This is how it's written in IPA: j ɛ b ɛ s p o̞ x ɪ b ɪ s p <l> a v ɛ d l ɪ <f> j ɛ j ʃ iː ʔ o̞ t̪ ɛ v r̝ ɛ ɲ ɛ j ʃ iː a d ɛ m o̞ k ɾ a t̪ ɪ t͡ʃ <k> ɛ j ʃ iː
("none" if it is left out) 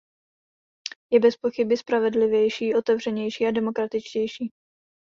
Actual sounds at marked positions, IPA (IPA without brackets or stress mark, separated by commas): ɾ, v, c